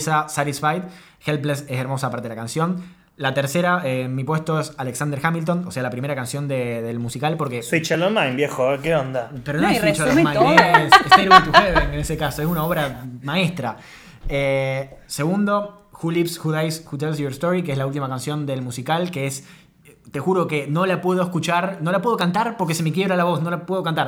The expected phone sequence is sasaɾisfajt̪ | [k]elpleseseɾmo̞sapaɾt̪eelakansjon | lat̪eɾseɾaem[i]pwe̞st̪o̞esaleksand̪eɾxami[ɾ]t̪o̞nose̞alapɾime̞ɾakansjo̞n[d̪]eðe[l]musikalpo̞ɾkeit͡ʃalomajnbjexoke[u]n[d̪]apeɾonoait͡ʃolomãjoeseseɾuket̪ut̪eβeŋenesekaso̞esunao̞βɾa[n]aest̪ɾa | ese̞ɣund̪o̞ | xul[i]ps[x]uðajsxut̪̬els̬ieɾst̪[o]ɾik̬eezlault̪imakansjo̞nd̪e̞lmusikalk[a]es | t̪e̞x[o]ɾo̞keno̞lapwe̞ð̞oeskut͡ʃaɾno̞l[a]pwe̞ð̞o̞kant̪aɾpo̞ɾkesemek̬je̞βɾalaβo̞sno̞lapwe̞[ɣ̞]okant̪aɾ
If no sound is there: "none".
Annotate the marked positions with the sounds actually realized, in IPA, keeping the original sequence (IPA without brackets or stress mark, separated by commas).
x, i, l, d̪, l, o, d̪, m, i, x, o, e, u, a, ð̞